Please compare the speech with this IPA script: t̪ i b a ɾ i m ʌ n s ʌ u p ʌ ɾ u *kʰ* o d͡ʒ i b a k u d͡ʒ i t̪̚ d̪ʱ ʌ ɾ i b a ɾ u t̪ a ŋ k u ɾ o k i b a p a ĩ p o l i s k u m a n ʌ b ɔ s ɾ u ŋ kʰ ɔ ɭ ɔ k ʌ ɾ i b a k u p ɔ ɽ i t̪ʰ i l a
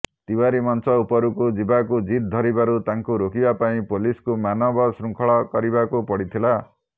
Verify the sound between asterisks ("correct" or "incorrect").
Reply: incorrect